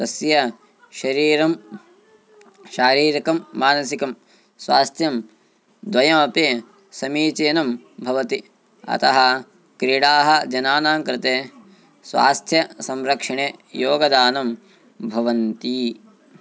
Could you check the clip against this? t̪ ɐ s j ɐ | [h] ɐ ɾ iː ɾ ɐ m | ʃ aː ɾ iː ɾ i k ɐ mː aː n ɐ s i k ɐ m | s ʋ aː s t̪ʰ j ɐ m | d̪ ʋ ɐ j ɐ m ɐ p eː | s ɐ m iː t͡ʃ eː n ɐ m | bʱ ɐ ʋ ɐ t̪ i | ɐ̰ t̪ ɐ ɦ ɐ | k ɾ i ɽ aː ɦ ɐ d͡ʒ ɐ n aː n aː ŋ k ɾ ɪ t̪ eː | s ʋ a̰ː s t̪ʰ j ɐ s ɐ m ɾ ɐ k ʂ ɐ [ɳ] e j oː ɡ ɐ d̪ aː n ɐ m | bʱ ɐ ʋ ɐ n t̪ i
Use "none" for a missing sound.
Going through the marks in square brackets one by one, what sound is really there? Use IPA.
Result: ʃ, ɳ

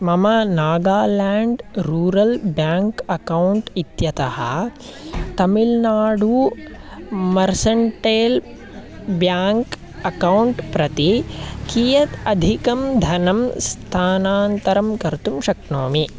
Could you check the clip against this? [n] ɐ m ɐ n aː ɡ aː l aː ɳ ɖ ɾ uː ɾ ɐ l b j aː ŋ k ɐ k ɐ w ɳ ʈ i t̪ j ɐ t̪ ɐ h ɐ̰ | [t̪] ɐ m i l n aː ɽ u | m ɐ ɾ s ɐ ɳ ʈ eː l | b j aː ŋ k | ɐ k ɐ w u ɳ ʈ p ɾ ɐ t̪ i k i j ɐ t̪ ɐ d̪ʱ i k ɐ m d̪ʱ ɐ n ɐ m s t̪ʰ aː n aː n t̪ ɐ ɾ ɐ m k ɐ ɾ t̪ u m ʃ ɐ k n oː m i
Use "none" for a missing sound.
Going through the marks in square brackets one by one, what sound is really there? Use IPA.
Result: m, t̪

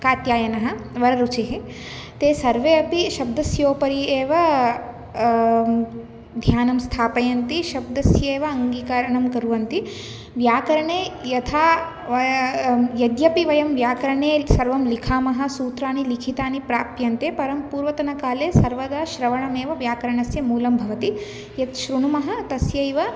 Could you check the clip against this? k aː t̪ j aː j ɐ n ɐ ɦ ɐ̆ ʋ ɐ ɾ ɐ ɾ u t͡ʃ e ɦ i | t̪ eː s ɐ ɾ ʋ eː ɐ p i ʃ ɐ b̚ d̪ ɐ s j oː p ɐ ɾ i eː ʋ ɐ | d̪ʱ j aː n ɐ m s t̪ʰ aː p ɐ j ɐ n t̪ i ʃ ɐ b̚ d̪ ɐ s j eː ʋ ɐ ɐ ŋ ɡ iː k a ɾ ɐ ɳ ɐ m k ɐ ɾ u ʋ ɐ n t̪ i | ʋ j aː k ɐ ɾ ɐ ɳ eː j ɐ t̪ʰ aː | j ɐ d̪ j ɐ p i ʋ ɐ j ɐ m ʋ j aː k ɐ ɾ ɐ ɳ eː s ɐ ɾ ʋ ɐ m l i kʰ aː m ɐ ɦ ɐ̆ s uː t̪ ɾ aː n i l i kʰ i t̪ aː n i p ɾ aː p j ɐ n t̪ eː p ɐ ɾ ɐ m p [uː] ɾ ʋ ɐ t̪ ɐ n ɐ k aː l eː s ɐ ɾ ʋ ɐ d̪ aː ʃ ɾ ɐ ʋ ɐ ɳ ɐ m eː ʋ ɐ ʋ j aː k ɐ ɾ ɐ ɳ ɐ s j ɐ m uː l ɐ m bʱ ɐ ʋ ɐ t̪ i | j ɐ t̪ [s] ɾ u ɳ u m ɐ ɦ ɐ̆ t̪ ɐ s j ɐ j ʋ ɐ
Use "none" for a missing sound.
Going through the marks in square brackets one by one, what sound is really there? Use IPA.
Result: uː, ʃ

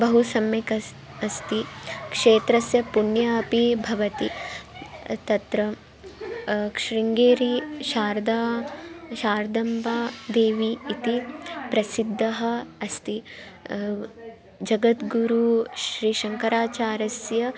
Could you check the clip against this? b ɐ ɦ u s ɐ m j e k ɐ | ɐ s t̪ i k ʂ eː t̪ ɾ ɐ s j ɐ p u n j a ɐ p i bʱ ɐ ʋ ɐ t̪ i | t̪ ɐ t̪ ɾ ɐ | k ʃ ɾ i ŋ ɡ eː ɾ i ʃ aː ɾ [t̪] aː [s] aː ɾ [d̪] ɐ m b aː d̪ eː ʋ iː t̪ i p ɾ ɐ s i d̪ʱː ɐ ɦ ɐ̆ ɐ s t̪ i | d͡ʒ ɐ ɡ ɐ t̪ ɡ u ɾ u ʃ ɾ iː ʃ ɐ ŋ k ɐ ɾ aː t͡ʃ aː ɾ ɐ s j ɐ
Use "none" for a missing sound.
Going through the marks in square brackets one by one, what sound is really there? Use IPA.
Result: d̪, ʃ, d̪

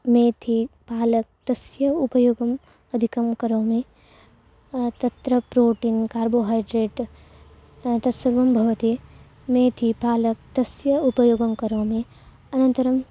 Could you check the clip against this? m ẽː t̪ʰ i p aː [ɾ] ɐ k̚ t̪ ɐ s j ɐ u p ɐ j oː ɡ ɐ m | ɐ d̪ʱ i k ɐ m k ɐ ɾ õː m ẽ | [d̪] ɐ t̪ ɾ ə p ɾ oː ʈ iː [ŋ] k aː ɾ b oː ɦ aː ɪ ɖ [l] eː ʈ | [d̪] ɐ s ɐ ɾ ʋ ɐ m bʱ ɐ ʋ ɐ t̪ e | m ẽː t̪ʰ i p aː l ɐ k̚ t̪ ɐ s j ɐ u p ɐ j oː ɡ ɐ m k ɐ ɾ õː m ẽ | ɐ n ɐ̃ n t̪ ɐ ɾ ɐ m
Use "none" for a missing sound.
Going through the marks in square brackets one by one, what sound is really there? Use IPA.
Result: l, t̪, n, ɾ, t̪

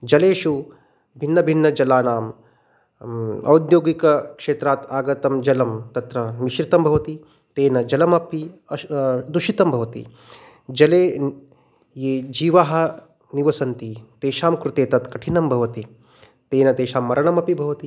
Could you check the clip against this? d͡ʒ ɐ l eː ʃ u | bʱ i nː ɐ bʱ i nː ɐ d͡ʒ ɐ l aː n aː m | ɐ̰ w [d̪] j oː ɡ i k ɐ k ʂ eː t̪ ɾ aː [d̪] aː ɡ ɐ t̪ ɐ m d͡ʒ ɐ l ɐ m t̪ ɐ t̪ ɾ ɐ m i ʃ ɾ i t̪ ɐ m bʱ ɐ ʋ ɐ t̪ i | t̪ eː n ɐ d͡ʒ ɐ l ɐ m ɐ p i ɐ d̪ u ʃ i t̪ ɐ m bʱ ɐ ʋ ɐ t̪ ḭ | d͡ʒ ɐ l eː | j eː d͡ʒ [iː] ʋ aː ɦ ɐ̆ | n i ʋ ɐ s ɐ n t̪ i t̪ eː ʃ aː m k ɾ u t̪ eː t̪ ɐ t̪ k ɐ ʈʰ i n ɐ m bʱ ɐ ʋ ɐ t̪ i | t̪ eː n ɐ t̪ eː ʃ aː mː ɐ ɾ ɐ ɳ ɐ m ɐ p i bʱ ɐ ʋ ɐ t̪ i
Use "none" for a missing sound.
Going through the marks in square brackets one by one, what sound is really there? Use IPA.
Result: d̪, t̪, iː

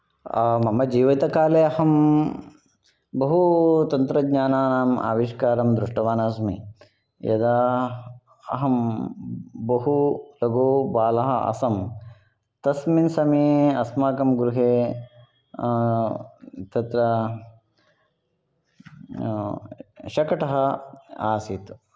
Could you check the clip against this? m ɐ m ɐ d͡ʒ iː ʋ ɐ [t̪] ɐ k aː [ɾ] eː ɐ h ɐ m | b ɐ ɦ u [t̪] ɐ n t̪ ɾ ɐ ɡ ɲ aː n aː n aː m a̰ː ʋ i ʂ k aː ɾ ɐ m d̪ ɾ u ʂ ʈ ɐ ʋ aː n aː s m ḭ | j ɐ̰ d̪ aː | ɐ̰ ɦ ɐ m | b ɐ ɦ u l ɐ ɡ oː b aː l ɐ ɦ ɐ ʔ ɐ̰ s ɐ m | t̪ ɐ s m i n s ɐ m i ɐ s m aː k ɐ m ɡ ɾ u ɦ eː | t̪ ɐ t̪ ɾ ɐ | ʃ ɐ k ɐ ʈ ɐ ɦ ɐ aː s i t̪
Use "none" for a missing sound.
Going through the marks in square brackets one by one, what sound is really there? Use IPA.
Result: t̪, l, t̪

